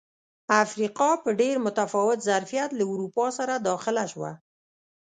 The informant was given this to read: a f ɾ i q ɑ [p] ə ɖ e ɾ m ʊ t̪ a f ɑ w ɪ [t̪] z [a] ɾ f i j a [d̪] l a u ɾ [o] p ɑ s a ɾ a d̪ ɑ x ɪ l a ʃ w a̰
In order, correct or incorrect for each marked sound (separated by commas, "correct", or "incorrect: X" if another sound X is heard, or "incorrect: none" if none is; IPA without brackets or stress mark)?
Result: correct, correct, correct, incorrect: t̪, incorrect: u